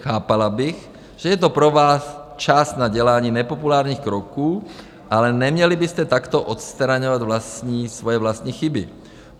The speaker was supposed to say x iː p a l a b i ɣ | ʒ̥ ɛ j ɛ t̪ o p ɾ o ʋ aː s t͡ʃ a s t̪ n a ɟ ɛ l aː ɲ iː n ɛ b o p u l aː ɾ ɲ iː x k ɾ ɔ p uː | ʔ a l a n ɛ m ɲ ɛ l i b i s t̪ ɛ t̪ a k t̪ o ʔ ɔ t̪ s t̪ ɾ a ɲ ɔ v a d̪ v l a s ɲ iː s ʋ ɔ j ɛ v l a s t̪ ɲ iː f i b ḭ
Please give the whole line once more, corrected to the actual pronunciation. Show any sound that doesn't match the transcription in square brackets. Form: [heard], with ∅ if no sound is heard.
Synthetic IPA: x [aː] p a l a b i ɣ | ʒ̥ ɛ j ɛ t̪ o p ɾ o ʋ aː s t͡ʃ a s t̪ n a ɟ ɛ l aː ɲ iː n ɛ [p] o p u l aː ɾ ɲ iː x k ɾ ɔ [k] uː | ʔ a l [ɛ] n ɛ m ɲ ɛ l i b i s t̪ ɛ t̪ a k t̪ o ʔ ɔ t̪ s t̪ ɾ a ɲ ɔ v a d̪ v l a s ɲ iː s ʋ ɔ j ɛ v l a s t̪ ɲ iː [x] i b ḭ